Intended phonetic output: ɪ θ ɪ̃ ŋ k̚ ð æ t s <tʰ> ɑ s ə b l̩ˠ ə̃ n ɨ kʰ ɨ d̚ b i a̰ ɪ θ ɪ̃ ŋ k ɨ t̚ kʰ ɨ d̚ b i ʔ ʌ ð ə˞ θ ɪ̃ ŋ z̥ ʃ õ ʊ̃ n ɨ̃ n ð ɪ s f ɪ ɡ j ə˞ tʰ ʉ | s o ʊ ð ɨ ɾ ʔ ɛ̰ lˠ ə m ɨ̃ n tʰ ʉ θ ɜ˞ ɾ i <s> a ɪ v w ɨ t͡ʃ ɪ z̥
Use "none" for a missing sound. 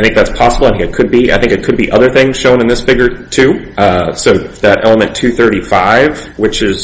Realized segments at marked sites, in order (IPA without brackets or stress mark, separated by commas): pʰ, f